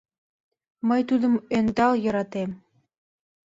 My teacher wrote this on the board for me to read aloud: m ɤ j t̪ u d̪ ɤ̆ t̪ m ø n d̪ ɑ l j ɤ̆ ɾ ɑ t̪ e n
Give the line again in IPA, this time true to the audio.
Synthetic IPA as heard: m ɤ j t̪ u d̪ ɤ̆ m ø n d̪ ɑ l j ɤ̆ ɾ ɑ t̪ e m